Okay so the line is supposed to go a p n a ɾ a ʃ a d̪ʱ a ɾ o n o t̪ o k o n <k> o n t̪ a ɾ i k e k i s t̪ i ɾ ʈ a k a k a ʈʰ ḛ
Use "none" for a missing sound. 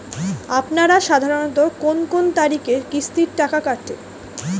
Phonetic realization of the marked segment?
k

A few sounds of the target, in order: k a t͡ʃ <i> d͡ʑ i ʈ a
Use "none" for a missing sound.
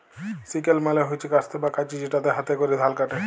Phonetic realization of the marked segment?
i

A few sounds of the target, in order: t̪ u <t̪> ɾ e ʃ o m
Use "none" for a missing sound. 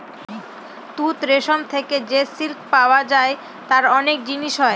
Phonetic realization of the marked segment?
t̪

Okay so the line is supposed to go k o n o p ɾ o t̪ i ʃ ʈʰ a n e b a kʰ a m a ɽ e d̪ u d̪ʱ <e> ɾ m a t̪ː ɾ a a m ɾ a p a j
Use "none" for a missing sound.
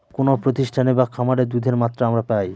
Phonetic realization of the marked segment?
e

